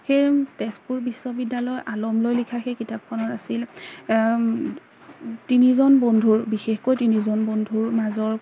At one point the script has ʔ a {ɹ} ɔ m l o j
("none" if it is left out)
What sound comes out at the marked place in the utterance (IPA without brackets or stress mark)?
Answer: l